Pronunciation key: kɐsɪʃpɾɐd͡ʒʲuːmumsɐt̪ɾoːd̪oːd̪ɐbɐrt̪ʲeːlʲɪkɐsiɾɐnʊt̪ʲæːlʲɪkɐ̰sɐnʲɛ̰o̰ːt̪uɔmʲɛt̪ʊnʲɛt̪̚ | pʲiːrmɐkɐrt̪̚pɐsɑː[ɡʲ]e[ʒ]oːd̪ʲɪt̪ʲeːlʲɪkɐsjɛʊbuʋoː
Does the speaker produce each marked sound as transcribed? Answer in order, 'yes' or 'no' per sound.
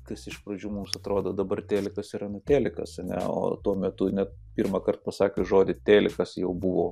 no, yes

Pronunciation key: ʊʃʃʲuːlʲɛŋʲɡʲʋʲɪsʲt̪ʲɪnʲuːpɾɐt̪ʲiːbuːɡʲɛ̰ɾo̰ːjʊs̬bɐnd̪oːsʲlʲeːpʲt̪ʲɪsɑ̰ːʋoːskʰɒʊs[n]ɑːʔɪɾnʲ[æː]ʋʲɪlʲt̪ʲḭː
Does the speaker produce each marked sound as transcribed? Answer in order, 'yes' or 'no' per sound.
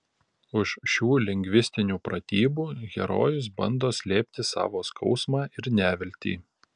no, yes

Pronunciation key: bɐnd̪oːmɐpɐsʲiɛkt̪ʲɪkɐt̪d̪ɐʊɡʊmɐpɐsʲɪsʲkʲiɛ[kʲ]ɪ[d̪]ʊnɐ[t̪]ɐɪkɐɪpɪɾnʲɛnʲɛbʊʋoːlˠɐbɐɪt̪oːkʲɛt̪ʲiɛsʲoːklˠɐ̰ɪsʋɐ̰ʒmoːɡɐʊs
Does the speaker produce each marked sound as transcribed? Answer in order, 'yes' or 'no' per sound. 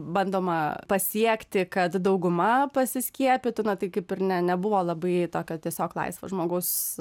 no, no, yes

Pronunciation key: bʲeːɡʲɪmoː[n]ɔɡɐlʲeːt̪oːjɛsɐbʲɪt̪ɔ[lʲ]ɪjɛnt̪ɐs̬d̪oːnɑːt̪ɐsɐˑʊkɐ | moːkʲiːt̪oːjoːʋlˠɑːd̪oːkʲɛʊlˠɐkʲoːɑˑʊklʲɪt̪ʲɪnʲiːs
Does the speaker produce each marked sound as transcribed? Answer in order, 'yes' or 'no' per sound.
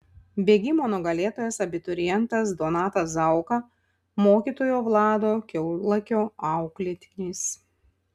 yes, no

